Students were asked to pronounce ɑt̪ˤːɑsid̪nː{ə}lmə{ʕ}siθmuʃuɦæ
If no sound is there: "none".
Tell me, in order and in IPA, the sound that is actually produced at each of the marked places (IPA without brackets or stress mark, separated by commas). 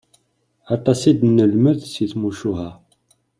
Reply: ə, ð